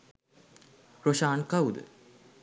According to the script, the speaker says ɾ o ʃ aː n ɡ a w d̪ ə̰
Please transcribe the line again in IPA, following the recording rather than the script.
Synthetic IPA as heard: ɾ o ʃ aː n k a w d̪ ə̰